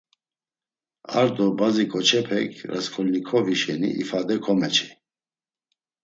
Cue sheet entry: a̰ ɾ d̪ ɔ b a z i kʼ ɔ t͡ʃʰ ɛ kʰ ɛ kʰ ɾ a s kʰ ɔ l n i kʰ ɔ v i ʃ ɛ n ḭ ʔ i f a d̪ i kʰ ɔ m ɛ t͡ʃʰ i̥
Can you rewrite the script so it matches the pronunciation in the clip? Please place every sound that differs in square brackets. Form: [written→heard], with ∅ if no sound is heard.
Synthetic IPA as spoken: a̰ ɾ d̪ ɔ b a z i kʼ ɔ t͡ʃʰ ɛ [kʰ→pʰ] ɛ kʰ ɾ a s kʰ ɔ l n i kʰ ɔ v i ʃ ɛ n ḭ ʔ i f a d̪ [i→ɛ] kʰ ɔ m ɛ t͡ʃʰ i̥